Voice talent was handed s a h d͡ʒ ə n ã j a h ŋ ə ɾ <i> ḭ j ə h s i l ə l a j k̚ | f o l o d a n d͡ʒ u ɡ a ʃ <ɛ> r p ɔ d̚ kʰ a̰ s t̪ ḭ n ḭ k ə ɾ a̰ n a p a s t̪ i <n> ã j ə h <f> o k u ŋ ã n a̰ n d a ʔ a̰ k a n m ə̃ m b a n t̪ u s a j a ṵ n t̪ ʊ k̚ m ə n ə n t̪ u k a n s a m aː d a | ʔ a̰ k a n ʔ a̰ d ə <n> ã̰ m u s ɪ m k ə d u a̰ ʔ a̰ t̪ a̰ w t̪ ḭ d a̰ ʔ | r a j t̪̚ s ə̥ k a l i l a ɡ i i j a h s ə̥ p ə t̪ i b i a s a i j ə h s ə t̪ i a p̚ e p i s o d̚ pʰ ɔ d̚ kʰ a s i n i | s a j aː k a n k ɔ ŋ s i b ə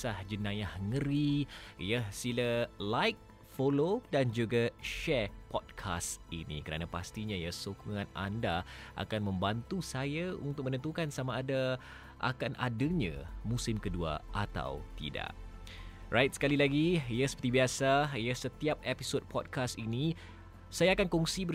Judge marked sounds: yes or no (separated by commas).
yes, yes, no, no, no